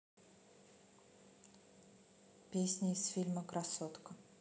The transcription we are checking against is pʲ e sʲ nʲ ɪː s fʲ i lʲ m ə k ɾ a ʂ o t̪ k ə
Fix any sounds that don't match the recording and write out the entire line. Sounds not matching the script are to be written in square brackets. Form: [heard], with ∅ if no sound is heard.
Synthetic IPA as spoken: pʲ e sʲ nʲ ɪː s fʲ i lʲ m ə k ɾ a [s] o t̪ k ə